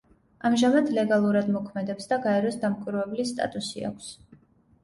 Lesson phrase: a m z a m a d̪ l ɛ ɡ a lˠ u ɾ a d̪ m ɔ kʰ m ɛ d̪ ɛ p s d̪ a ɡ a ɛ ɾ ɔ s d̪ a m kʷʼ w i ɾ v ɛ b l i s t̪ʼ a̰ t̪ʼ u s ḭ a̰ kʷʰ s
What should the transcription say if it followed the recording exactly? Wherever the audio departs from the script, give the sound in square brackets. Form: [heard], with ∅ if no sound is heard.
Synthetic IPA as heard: a m [ʒ] a m a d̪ l ɛ ɡ a lˠ u ɾ a d̪ m ɔ kʰ m ɛ d̪ ɛ p s d̪ a ɡ a ɛ ɾ ɔ s d̪ a m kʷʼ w i ɾ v ɛ b l i s t̪ʼ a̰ t̪ʼ u s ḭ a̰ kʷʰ s